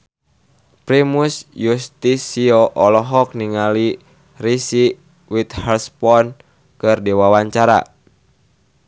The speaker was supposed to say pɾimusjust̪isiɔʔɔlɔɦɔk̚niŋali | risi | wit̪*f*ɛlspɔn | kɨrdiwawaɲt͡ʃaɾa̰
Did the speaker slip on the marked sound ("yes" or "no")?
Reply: yes